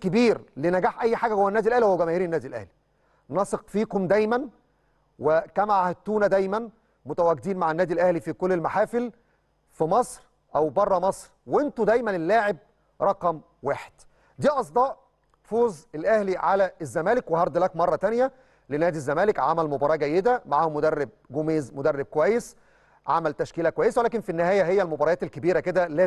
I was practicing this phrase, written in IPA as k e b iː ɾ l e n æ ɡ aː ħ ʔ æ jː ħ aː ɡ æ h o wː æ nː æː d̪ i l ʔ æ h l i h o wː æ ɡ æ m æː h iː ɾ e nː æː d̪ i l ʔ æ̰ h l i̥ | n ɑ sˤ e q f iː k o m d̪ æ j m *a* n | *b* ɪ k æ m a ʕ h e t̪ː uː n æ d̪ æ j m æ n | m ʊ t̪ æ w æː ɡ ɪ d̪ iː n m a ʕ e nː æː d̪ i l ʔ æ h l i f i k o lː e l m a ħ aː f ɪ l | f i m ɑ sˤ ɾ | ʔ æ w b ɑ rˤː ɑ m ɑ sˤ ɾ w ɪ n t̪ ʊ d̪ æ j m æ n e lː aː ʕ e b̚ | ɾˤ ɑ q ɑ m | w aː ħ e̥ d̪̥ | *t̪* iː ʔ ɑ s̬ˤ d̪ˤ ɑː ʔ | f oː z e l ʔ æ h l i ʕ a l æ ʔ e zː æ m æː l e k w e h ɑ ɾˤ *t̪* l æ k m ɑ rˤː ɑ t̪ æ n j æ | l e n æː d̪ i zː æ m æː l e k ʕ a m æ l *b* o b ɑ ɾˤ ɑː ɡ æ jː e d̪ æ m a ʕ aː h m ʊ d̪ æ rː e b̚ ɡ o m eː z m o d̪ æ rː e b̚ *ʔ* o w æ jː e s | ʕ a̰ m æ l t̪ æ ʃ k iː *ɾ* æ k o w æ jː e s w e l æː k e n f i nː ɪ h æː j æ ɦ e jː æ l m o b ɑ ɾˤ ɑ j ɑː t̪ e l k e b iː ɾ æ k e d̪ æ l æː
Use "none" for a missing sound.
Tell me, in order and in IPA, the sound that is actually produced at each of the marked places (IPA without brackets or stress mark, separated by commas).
æ, w, d̪, d̪, m, k, l